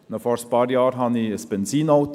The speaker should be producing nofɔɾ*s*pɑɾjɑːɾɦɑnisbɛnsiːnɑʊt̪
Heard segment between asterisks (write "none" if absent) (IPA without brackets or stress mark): s